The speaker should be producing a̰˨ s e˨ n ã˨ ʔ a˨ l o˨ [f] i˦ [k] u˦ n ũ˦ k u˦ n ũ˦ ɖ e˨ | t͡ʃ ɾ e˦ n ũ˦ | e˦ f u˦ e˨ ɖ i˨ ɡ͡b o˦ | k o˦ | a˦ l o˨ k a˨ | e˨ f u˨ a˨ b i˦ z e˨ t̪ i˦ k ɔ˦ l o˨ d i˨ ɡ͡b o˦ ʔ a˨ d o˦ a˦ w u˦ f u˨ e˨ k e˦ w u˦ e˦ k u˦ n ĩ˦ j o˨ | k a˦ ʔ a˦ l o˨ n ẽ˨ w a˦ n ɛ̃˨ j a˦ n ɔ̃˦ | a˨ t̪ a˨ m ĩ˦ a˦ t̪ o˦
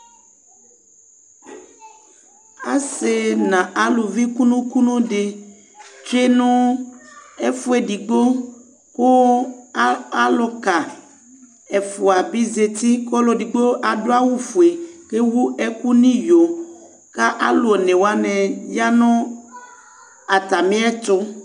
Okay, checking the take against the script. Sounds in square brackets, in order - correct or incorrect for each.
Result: incorrect: v, correct

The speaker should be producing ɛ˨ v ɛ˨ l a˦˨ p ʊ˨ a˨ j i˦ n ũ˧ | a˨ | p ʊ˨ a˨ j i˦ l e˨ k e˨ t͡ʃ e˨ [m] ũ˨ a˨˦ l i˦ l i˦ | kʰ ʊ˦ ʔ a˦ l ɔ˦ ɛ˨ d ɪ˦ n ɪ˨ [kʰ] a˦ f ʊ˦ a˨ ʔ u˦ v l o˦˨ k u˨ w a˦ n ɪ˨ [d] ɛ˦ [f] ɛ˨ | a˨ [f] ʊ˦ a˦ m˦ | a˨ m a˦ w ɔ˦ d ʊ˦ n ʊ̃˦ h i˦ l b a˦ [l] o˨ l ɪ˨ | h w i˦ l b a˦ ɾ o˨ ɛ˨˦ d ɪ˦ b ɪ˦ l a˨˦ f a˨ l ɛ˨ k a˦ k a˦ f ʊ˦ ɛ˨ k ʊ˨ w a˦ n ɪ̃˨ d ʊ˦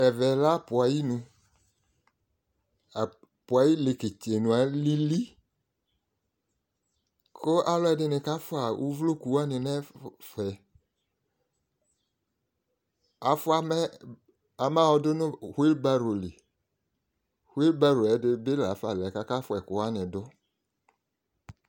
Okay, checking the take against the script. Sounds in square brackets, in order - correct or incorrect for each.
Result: incorrect: n, incorrect: k, incorrect: n, correct, correct, incorrect: ɾ

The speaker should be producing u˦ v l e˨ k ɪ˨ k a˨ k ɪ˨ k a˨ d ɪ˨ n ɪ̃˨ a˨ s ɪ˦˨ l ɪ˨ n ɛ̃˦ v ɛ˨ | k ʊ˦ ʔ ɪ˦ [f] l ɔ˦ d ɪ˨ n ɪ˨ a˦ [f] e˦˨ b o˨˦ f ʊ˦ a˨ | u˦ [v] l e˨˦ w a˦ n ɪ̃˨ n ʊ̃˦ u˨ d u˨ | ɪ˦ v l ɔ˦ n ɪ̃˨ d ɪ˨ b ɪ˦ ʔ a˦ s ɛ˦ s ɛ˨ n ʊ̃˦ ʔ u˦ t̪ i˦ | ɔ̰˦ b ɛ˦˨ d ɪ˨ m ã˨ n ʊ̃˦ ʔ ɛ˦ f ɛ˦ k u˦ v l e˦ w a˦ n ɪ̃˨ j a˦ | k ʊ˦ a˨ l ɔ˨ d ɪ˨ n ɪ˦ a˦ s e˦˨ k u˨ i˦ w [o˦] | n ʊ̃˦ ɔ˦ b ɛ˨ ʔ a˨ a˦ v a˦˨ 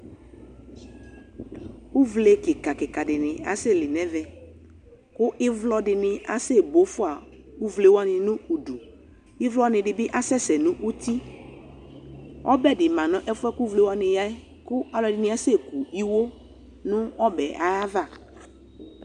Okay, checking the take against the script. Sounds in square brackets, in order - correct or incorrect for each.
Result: incorrect: v, incorrect: s, correct, correct

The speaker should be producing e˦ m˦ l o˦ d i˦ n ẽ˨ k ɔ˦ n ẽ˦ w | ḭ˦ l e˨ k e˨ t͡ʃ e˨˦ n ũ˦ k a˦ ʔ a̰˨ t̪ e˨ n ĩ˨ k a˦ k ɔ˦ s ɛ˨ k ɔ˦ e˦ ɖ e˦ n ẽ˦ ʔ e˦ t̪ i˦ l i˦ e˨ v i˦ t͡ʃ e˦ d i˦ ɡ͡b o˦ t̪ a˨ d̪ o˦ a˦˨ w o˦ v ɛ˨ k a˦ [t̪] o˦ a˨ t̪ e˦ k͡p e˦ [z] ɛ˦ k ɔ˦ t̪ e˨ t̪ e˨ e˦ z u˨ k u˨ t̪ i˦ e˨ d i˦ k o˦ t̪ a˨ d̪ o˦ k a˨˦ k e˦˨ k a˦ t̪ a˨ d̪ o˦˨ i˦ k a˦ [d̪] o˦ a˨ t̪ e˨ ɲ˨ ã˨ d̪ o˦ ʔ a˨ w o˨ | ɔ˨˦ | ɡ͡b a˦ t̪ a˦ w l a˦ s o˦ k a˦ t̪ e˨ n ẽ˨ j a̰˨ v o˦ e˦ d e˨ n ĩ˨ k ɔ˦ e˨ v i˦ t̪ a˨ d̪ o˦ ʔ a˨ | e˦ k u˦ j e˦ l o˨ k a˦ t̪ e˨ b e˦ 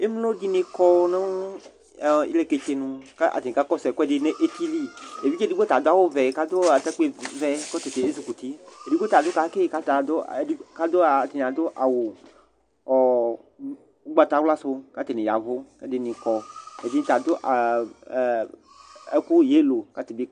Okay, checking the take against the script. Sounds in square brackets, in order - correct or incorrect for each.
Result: incorrect: d̪, incorrect: v, correct

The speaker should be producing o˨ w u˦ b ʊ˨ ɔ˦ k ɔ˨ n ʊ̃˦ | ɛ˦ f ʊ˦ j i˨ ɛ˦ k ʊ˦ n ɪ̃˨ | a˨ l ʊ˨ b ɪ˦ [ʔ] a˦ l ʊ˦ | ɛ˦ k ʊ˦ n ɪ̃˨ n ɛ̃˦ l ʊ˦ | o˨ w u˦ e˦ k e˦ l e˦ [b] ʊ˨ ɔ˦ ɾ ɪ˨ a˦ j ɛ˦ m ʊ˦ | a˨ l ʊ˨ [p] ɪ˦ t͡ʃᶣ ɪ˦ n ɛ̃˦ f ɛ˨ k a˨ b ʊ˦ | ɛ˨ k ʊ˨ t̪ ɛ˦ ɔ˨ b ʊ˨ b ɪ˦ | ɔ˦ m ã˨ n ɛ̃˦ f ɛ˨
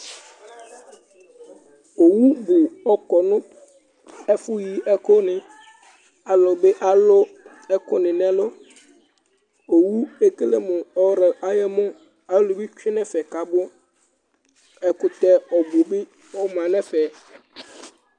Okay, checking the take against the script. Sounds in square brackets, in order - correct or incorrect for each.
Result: correct, incorrect: m, incorrect: b

